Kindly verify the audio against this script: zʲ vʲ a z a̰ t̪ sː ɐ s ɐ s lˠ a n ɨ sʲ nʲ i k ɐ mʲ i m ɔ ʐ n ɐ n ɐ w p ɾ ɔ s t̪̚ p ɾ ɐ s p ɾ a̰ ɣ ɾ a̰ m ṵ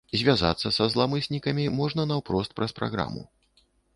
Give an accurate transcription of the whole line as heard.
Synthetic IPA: zʲ vʲ a z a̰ t̪ sː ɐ s ɐ z lˠ a m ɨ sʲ nʲ i k ɐ mʲ i m ɔ ʐ n ɐ n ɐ w p ɾ ɔ s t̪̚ p ɾ ɐ s p ɾ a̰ ɣ ɾ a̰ m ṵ